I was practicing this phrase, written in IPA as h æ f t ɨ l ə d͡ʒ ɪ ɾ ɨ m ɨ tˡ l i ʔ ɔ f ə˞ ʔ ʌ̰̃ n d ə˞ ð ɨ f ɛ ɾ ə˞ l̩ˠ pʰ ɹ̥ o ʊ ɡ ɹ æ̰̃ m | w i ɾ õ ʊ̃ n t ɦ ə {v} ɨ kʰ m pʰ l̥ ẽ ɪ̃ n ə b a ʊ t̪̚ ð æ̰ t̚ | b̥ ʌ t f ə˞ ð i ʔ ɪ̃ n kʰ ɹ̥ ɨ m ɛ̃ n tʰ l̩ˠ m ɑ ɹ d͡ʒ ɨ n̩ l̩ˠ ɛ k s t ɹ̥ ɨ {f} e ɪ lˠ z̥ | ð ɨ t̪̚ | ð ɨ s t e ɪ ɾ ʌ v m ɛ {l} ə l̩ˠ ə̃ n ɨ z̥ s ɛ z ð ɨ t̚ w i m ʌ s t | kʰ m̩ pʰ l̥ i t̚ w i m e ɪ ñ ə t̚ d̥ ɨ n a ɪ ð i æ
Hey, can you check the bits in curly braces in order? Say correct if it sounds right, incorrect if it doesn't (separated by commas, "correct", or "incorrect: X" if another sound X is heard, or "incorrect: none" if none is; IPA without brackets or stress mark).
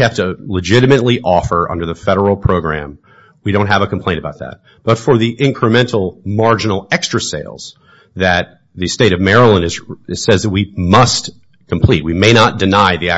correct, incorrect: s, incorrect: ɹ